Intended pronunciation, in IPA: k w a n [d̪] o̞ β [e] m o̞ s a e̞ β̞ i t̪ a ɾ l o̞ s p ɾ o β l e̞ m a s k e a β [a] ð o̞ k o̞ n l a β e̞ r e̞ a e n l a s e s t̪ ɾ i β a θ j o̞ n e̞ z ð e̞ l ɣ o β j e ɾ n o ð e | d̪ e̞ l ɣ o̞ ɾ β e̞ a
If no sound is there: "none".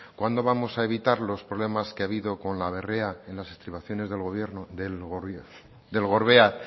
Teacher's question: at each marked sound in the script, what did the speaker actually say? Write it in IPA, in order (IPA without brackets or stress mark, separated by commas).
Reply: d̪, a, i